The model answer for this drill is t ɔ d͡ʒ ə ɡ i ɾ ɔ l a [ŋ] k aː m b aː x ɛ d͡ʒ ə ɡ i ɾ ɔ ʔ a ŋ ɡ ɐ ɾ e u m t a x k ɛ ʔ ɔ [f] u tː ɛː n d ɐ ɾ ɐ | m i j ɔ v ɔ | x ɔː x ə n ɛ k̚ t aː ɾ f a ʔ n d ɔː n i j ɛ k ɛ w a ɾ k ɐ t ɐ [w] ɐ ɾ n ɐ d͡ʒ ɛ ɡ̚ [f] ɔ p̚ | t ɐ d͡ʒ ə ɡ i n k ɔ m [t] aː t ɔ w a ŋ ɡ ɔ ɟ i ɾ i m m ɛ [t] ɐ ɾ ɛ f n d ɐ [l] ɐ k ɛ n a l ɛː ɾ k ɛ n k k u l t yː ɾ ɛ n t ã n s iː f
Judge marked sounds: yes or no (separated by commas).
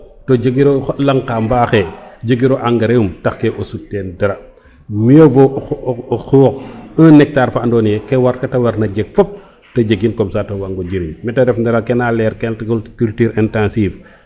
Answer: yes, no, yes, yes, no, yes, no